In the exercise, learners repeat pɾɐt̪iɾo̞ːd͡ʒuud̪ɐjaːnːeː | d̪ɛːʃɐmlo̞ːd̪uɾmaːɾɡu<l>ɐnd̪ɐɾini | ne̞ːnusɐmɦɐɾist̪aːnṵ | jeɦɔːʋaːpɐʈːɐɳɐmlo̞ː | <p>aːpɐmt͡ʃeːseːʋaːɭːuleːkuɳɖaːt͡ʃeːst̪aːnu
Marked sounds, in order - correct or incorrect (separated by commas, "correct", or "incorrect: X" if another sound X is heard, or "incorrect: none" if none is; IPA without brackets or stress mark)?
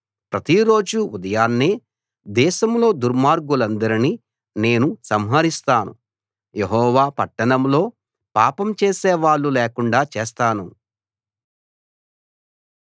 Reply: correct, correct